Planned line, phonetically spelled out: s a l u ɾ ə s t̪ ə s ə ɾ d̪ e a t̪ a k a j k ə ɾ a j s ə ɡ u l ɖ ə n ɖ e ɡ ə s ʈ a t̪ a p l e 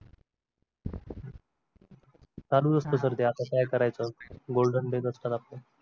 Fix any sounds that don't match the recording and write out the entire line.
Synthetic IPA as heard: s a l u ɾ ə s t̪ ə s ə ɾ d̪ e a t̪ a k a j k ə ɾ a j t͡s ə ɡ o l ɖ ə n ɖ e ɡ ə s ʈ a t̪ a p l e